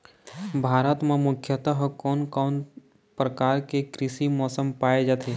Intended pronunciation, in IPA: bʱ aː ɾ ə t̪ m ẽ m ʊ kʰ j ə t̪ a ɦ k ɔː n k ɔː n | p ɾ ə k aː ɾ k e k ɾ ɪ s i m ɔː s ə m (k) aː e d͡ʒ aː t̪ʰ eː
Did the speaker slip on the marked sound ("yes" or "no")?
yes